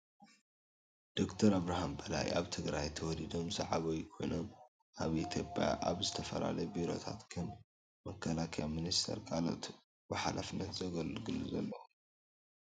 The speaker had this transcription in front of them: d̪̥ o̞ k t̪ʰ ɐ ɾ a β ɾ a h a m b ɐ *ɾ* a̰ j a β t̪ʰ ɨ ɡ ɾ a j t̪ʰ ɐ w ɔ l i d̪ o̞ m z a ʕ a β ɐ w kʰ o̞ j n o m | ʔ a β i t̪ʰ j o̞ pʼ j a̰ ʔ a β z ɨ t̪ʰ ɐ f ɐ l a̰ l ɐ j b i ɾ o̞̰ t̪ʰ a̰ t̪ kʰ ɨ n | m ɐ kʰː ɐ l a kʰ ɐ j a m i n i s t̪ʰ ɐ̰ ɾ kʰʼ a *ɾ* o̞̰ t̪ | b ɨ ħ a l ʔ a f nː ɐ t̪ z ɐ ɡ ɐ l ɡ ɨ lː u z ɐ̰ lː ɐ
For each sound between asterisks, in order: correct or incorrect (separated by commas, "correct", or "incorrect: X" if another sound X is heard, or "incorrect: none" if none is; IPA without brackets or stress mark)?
incorrect: l, incorrect: l